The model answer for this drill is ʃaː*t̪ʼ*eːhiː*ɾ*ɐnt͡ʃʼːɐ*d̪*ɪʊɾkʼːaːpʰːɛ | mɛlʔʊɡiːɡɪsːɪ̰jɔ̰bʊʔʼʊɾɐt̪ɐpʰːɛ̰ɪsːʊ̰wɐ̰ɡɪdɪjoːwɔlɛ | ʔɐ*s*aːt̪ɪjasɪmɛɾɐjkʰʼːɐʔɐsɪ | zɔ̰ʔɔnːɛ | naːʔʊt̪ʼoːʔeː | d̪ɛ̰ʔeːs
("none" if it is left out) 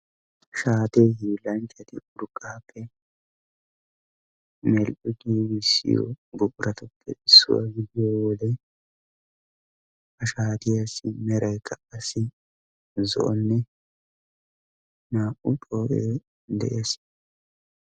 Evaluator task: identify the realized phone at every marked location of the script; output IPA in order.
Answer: t̪, l, t̪, ʃ

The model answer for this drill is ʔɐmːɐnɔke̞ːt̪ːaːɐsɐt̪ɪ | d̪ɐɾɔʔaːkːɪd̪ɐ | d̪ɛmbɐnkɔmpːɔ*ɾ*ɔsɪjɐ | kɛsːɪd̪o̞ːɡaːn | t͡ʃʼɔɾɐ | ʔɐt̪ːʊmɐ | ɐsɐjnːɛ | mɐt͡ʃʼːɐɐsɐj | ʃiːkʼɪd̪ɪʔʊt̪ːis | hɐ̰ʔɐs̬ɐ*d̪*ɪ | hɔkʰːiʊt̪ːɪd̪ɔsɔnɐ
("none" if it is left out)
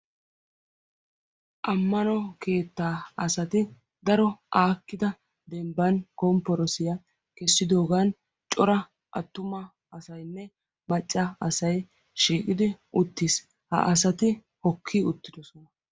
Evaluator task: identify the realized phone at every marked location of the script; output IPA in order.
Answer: ɾ, t̪

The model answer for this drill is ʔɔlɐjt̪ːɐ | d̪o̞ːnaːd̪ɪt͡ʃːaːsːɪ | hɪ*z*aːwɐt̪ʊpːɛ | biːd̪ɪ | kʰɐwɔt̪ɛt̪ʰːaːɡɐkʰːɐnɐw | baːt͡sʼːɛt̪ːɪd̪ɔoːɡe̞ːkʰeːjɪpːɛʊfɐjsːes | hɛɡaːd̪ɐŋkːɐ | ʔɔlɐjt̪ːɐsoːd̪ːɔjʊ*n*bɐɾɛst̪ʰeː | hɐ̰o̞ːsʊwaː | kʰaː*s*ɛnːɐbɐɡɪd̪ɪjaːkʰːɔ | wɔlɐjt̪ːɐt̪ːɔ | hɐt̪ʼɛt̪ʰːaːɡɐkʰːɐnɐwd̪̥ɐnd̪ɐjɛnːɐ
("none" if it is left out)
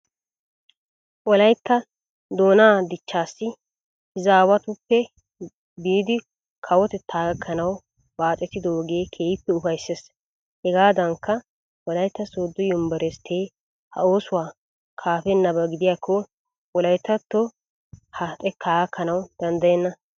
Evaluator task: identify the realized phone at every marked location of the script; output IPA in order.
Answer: z, m, f

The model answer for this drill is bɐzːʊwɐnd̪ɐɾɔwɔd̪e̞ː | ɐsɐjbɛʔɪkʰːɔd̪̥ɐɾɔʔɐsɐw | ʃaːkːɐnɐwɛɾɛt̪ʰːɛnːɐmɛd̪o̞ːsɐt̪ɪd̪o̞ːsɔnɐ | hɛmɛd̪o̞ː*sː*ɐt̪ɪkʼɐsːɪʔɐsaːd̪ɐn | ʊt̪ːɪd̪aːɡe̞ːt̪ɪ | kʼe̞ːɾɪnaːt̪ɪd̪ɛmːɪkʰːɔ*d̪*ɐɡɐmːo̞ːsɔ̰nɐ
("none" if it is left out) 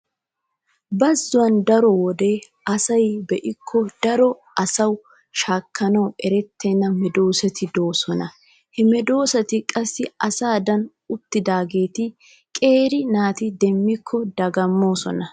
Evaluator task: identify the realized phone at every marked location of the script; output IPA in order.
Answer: s, d̪

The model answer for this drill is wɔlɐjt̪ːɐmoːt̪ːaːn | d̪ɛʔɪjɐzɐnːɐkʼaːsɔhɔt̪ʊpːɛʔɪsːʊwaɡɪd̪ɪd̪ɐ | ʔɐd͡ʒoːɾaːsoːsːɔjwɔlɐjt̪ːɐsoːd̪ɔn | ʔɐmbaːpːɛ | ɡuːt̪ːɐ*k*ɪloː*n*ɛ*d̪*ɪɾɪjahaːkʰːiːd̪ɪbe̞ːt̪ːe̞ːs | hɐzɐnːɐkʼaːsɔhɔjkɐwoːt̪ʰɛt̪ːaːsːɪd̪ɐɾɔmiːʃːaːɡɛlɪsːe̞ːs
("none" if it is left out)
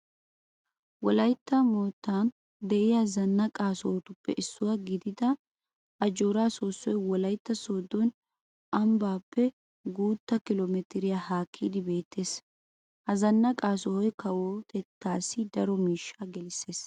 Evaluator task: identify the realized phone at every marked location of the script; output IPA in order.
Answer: k, m, t̪

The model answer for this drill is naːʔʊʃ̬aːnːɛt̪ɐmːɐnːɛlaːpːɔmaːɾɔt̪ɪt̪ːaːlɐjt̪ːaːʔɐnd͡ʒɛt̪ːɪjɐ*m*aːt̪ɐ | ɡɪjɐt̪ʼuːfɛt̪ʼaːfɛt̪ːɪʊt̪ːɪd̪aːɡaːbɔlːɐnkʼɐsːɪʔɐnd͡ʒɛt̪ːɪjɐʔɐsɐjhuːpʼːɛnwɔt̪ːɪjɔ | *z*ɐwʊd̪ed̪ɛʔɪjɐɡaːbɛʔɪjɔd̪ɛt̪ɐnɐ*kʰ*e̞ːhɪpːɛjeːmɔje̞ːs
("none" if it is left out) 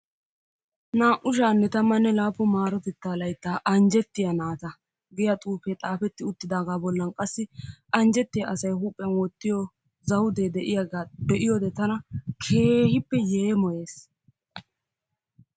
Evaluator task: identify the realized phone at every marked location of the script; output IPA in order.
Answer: n, z, kʰ

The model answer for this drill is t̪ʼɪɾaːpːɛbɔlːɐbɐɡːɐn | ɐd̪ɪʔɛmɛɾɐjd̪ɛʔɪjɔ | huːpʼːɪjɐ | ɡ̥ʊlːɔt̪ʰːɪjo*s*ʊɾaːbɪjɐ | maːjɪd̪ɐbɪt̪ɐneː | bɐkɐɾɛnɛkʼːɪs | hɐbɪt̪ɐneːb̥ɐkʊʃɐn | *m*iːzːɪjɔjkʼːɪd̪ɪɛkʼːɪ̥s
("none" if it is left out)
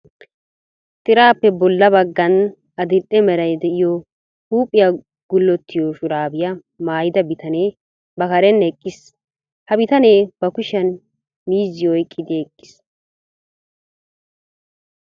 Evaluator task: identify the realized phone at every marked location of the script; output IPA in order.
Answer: ʃ, m

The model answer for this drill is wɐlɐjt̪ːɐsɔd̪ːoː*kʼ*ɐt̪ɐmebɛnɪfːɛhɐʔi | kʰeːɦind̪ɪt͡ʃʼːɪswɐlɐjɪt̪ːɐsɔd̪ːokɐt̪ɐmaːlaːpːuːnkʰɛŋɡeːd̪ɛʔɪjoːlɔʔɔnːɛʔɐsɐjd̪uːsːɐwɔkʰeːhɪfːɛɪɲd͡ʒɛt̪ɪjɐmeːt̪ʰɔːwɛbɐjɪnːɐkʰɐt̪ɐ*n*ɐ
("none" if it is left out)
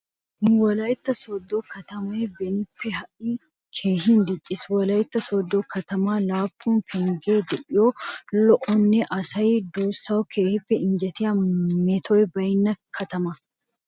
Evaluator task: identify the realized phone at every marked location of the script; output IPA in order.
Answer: k, m

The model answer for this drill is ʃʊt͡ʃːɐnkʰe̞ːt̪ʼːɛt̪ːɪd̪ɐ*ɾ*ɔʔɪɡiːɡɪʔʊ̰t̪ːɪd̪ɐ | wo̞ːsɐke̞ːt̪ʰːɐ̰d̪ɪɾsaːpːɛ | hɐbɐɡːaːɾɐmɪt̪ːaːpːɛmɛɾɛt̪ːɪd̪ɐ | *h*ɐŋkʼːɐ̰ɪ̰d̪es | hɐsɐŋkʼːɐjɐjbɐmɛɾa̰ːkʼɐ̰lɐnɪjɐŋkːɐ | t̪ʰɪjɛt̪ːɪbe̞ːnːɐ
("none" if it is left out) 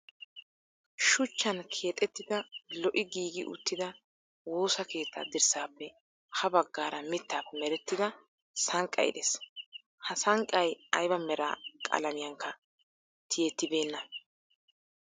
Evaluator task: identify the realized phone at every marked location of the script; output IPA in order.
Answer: l, s

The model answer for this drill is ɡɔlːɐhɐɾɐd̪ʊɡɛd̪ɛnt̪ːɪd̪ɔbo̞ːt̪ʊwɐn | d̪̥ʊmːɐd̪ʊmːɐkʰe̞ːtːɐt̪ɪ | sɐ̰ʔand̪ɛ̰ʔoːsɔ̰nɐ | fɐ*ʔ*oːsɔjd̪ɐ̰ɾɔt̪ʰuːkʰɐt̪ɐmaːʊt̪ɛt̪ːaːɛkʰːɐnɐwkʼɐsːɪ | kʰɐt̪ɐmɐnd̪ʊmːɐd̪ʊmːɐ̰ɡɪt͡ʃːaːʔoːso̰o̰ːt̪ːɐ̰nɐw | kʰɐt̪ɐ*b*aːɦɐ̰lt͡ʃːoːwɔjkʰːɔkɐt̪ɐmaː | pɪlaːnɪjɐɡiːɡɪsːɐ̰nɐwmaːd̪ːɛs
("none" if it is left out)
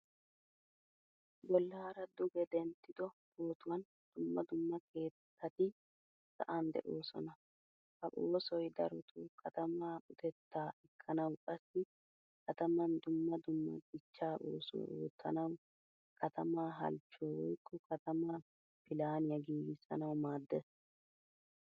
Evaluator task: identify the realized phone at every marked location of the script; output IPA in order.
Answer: ʔ, m

